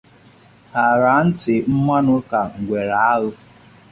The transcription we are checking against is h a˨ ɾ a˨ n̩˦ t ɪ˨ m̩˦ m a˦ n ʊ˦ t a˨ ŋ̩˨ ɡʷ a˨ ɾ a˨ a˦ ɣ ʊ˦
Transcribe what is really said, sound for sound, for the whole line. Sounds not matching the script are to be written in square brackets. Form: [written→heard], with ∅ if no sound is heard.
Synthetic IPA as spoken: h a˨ ɾ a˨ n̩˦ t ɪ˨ m̩˦ m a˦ n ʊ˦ [t→k] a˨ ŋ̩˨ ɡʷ [a˨→e˨] ɾ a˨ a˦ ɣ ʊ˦